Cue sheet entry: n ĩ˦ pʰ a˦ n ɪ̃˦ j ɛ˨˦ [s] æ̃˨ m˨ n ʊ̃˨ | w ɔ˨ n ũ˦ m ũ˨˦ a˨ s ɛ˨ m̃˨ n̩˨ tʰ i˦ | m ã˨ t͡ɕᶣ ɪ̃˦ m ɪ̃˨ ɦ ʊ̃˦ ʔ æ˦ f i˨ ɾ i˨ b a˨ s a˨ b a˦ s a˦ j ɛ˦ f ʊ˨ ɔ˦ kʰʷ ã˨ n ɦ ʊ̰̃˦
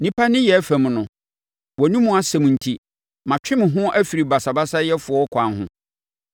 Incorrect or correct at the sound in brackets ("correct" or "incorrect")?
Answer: incorrect